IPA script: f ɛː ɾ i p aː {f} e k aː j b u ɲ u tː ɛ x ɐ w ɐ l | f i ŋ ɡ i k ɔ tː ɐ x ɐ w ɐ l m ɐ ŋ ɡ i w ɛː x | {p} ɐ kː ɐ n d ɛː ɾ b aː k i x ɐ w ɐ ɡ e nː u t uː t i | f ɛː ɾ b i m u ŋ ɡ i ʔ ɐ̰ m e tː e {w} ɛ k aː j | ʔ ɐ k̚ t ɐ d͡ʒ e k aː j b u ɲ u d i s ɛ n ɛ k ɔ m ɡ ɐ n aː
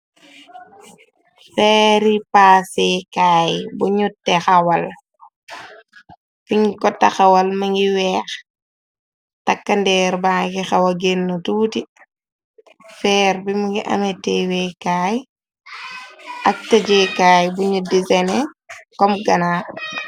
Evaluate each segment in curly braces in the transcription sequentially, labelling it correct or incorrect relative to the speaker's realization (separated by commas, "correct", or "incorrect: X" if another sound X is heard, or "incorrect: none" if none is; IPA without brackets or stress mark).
incorrect: s, incorrect: t, correct